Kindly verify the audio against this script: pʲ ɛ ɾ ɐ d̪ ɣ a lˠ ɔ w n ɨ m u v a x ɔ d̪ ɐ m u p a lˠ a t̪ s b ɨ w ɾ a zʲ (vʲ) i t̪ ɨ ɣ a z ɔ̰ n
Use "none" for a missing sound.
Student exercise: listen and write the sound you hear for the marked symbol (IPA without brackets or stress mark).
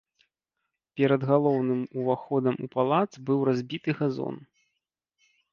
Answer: bʲ